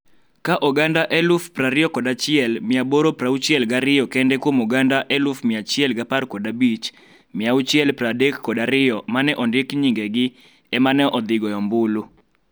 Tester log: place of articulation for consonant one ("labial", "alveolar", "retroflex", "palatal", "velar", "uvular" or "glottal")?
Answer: velar